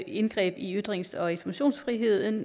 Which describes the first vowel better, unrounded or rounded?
unrounded